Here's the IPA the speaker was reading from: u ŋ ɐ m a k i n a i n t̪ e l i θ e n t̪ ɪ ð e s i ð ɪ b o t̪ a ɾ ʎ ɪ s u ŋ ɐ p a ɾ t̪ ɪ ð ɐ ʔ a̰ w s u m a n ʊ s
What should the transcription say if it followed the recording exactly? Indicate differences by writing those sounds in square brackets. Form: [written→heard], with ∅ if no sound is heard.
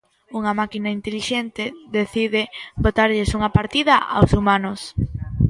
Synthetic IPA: u ŋ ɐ m a k i n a i n t̪ e l i [θ→ʃ] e n t̪ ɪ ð e [s→θ] i ð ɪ b o t̪ a ɾ ʎ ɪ s u ŋ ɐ p a ɾ t̪ [ɪ→i] ð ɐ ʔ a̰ w s u m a n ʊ s

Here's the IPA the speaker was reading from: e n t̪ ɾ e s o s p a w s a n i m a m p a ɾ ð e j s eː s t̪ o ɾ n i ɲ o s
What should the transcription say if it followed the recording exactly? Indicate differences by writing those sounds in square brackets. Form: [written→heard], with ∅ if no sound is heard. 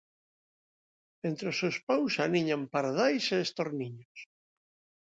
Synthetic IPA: e n t̪ ɾ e s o s p a w s a n i [m→ɲ] a m p a ɾ ð [e→a] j s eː s t̪ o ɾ n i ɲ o s

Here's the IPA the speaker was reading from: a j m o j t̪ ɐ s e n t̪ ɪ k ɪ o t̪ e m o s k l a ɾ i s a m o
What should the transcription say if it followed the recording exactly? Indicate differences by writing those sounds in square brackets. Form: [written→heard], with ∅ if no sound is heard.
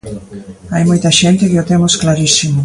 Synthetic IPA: a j m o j t̪ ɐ [s→ʃ] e n t̪ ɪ k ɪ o t̪ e m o s k l a ɾ i s [a→i] m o

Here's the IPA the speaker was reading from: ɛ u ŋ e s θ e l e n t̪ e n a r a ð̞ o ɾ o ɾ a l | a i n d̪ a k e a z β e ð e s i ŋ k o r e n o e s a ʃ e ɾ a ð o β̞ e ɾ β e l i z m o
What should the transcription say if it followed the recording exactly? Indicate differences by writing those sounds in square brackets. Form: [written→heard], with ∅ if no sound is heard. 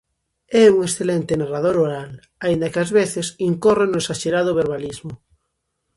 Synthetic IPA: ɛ u ŋ e s θ e l e n t̪ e n a r a ð̞ o ɾ o ɾ a l | a i n d̪ a k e a z β e [ð→θ] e s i ŋ k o r e n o e s a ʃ e ɾ a ð o β̞ e ɾ β [e→a] l i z m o

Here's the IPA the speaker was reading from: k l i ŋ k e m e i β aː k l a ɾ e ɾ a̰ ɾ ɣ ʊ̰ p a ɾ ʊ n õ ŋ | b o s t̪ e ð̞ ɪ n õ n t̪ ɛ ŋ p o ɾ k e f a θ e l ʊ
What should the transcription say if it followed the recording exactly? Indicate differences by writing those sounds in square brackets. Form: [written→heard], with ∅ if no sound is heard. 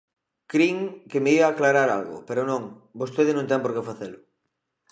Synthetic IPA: k [l→ɾ] i ŋ k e m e i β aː k l a ɾ [e→a] ɾ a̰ [ɾ→l] ɣ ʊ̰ p [a→e] ɾ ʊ n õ ŋ | b o s t̪ e ð̞ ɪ n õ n t̪ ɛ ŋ p o ɾ k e f a θ e l ʊ

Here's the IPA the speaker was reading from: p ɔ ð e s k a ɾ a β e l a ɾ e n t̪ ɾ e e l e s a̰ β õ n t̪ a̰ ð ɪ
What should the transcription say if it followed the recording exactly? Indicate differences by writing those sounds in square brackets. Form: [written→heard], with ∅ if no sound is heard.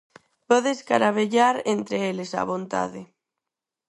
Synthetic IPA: p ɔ ð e s k a ɾ a β e [l→ʎ] a ɾ e n t̪ ɾ e e l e s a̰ β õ n t̪ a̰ ð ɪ

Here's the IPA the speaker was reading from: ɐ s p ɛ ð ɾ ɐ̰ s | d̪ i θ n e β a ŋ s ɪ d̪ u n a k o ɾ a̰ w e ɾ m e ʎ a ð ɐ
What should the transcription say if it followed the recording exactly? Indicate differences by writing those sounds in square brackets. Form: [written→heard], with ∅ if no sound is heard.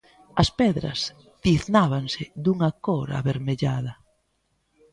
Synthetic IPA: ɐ s p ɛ ð ɾ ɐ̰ s | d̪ i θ n [e→a] β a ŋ s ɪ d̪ u [n→ŋ] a k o ɾ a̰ [w→β] e ɾ m e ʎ a ð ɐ

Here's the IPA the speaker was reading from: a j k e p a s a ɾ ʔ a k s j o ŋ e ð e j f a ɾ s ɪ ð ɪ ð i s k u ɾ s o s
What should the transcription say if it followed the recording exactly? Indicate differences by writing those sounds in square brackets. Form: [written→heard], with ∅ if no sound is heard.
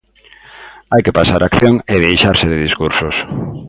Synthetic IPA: a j k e p a s a ɾ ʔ a k [s→θ] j o ŋ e ð e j [f→ʃ] a ɾ s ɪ ð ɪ ð i s k u ɾ s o s

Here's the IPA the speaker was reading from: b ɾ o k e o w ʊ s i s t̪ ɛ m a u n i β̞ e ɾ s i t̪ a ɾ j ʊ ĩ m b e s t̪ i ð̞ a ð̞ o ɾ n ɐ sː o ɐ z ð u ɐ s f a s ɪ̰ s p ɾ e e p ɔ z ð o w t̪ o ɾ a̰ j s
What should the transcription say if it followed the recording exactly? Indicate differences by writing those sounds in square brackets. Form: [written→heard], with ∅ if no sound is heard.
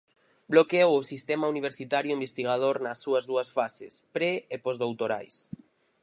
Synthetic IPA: b [ɾ→l] o k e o w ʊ s i s t̪ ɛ m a u n i β̞ e ɾ s i t̪ a ɾ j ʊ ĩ m b e s t̪ i [ð̞→ɣ̞] a ð̞ o ɾ n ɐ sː [o→u] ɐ z ð u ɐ s f a s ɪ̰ s p ɾ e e p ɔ z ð o w t̪ o ɾ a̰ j s

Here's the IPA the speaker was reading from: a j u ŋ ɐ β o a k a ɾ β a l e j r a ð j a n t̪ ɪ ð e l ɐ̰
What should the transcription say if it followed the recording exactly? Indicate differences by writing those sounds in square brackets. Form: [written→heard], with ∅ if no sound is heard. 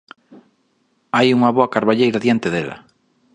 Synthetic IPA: a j u ŋ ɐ β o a k a ɾ β a [l→ʎ] e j [r→ɾ] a ð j a n t̪ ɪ ð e l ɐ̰

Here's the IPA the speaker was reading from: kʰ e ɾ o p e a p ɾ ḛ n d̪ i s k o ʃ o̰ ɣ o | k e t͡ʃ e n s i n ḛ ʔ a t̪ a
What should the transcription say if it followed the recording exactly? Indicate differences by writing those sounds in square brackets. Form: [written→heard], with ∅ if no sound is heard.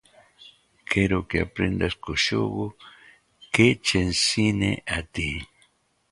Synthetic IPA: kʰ e ɾ o [p→k] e a p ɾ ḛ n d̪ [i→a] s k o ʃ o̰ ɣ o | k e t͡ʃ e n s i n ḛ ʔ a t̪ [a→i]

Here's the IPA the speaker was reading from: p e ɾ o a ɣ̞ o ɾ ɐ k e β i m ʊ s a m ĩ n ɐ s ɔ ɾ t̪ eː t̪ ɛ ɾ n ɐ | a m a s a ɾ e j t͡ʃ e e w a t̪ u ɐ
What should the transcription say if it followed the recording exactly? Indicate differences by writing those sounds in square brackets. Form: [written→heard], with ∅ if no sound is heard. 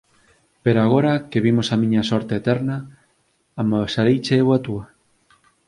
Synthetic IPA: p e ɾ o a ɣ̞ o ɾ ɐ k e β i m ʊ s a m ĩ [n→ɲ] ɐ s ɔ ɾ t̪ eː t̪ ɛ ɾ n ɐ | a m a s a ɾ e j t͡ʃ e e w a t̪ u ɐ

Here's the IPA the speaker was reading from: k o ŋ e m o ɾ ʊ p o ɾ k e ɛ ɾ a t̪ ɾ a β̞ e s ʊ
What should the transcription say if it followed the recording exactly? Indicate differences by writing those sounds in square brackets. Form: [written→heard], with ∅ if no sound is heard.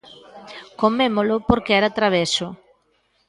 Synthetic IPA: k o [ŋ→m] e m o [ɾ→l] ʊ p o ɾ k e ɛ ɾ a t̪ ɾ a β̞ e s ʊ

